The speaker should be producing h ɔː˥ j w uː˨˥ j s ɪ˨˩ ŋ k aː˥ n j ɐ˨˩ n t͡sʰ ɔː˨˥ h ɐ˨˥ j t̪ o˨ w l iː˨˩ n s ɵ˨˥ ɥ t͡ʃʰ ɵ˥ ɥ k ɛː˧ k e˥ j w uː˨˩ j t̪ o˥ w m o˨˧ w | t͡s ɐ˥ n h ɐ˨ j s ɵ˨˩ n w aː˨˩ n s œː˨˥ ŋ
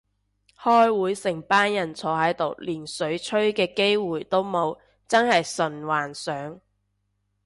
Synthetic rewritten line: h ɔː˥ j w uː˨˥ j s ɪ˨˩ ŋ p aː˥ n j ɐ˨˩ n t͡sʰ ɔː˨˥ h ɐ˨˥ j t̪ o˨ w l iː˨˩ n s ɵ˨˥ ɥ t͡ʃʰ ɵ˥ ɥ k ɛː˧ k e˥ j w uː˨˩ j t̪ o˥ w m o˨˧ w | t͡s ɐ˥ n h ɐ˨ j s ɵ˨˩ n w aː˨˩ n s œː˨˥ ŋ